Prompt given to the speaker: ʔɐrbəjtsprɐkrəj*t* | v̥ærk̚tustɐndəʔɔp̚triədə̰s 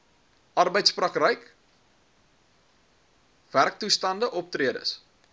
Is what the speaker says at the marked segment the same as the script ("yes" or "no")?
no